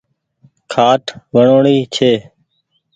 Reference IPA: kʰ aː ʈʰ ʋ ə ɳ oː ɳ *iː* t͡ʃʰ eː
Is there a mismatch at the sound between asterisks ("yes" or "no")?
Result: no